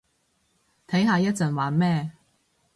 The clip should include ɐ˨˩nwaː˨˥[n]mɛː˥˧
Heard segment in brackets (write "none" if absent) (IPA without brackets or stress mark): n